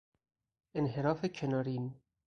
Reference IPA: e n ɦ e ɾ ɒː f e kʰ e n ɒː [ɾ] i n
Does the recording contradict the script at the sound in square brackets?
no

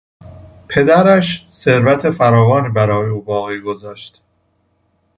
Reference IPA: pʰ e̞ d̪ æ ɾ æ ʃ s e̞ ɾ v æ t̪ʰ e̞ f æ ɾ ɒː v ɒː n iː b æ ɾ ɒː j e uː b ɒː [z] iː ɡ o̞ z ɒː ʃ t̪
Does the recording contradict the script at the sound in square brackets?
yes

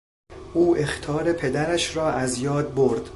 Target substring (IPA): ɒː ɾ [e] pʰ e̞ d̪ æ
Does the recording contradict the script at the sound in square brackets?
no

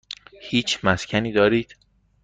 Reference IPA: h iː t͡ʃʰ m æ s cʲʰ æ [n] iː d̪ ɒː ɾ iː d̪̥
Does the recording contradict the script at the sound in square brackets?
no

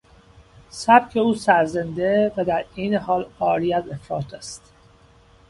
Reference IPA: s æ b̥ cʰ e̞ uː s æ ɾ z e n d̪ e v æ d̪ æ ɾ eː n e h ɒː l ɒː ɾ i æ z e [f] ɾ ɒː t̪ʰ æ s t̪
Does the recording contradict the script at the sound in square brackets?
no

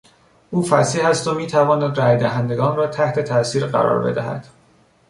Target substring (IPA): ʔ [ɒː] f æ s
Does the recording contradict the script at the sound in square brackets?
yes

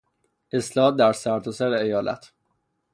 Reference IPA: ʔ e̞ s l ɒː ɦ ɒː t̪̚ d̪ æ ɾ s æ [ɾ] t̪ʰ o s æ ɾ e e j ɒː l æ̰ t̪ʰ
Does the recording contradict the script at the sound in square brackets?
no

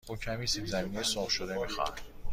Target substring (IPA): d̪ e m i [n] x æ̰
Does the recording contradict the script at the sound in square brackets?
yes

